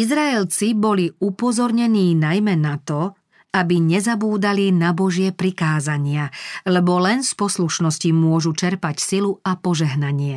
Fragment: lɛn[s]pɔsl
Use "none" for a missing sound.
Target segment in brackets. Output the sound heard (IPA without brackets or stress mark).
s